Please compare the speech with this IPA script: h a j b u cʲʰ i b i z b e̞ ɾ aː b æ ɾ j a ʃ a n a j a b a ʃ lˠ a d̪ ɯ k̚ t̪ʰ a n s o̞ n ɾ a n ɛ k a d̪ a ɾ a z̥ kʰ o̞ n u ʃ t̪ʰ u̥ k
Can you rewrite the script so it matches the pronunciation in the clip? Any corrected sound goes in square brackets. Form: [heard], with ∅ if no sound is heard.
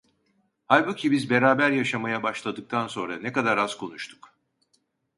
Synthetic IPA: h a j b u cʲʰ i b i z b e̞ ɾ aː b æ ɾ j a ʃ a [m] a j a b a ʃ lˠ a d̪ ɯ k̚ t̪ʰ a n s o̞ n ɾ a n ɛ k a d̪ a ɾ a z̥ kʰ o̞ n u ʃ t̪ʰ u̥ k